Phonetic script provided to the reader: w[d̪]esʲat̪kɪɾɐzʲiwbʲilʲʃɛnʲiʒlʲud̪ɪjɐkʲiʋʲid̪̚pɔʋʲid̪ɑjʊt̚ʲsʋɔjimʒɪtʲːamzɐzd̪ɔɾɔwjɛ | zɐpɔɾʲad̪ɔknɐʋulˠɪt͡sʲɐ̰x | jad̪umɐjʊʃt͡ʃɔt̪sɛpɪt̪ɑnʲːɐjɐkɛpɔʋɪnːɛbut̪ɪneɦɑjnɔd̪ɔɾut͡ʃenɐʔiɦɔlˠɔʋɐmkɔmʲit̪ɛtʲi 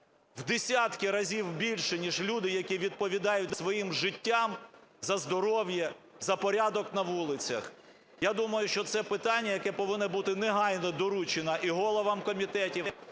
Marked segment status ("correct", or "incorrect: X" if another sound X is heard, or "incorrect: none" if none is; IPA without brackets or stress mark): correct